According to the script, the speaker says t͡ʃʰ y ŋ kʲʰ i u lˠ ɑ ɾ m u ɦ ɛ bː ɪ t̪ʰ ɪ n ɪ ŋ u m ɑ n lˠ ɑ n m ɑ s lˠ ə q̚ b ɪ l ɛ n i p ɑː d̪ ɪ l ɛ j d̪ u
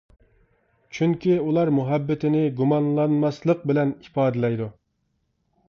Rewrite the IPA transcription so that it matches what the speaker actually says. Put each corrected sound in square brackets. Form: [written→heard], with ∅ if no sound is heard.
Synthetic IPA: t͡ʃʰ y ŋ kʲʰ i u lˠ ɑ ɾ m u ɦ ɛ bː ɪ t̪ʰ ɪ n ɪ [ŋ→ɡ] u m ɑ n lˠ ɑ n m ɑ s lˠ ə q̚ b ɪ l ɛ n i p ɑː d̪ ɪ l ɛ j d̪ u